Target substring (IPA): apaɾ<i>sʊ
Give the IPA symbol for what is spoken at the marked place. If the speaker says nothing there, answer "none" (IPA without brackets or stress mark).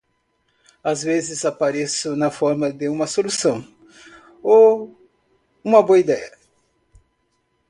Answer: e